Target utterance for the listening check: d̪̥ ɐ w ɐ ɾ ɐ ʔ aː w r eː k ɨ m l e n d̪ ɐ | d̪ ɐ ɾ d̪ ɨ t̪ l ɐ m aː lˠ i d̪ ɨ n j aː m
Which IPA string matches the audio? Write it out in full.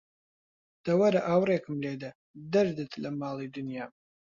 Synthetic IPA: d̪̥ ɐ w ɐ ɾ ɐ ʔ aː w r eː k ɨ m l e d̪ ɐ | d̪ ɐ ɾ d̪ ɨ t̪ l ɐ m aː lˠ i d̪ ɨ n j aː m